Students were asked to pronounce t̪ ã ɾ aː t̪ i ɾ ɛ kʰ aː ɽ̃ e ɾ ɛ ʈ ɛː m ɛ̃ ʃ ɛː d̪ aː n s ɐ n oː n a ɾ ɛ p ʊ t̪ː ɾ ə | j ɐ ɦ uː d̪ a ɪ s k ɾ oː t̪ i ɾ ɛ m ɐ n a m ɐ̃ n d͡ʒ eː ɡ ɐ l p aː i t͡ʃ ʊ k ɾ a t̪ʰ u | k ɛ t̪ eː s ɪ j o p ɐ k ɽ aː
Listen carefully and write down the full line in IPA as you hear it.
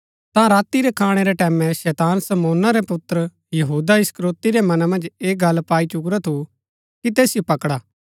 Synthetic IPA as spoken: t̪ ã ɾ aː t̪ i ɾ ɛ kʰ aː ɽ̃ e ɾ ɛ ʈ ɛː m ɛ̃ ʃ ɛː t̪ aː n s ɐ m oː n a ɾ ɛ p ʊ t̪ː ɾ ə | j ɐ ɦ uː d̪ a ɪ s k ɾ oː t̪ i ɾ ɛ m ɐ n a m ɐ̃ n d͡ʒ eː ɡ ɐ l p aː i t͡ʃ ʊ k ɾ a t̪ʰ u | k i t̪ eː s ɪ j o p ɐ k ɽ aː

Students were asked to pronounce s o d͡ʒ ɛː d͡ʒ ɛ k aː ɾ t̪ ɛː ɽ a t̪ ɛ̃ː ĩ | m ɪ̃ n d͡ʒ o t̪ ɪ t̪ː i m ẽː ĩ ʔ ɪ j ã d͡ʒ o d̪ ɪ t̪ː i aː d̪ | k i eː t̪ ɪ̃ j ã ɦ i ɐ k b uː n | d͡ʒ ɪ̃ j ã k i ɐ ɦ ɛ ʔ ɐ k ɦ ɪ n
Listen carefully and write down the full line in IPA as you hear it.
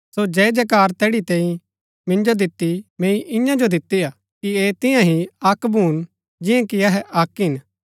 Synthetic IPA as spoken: s o d͡ʒ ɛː d͡ʒ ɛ k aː ɾ t̪ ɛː ɽ i t̪ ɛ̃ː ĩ | m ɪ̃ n d͡ʒ o d̪ ɪ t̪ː i m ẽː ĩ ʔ ɪ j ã d͡ʒ o d̪ ɪ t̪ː i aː | k i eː t̪ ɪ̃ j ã ɦ i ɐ k b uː n | d͡ʒ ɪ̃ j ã k i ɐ ɦ ɛ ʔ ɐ k ɦ ɪ n

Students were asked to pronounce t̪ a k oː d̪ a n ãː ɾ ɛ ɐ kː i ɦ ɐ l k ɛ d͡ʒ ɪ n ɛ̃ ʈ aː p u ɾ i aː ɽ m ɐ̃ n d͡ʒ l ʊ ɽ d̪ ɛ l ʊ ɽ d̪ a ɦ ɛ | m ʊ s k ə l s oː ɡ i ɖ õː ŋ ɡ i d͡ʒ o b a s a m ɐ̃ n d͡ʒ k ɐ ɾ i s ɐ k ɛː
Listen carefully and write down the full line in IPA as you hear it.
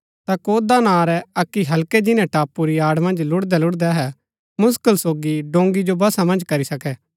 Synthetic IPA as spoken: t̪ a k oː d̪ a n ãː ɾ ɛ ɐ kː i ɦ ɐ l k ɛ d͡ʒ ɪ n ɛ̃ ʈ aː p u ɾ i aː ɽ m ɐ̃ n d͡ʒ l ʊ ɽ d̪ ɛ l ʊ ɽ d̪ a ɦ ɛ | m ʊ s k ə l s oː ɡ i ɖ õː ŋ ɡ i d͡ʒ o b ɐ s a m ɐ̃ n d͡ʒ k ɐ ɾ i s ɐ k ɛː

